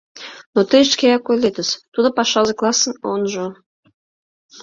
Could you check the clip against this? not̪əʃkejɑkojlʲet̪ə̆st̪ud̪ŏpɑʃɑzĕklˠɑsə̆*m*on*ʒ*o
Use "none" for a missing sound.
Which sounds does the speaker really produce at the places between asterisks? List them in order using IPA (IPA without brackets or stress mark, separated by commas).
n, ʒ